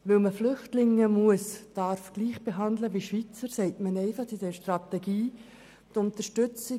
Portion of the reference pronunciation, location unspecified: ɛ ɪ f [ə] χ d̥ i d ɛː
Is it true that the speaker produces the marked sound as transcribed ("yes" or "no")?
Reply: no